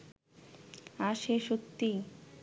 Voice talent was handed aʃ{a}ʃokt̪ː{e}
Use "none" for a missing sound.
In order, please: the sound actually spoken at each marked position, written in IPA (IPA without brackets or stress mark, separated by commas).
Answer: e, i